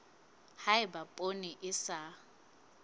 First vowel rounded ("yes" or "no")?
no